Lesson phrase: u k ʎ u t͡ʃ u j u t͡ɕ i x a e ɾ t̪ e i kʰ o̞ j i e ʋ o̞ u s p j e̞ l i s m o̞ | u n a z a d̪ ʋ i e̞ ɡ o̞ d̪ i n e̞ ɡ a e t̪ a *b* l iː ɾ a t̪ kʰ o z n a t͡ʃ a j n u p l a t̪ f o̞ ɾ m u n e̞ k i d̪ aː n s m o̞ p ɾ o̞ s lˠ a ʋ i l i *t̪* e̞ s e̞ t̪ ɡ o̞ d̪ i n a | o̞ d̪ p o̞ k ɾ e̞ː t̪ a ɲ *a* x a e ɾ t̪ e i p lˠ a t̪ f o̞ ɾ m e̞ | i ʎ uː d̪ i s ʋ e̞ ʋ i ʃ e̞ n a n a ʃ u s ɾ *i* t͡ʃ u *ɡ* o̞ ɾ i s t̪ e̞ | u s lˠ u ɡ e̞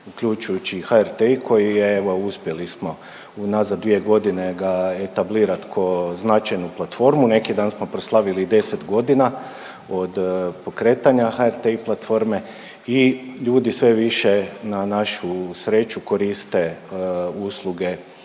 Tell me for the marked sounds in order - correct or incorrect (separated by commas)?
correct, incorrect, correct, incorrect, incorrect